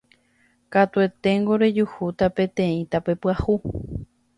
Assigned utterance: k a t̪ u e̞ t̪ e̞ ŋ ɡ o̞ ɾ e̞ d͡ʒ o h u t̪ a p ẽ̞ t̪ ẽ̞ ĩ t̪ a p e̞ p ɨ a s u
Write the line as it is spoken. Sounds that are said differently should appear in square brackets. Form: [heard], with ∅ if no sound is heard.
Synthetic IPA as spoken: k a t̪ u e̞ t̪ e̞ ŋ ɡ o̞ ɾ e̞ d͡ʒ [u] h u t̪ a p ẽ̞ t̪ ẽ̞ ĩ t̪ a p e̞ p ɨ a [h] u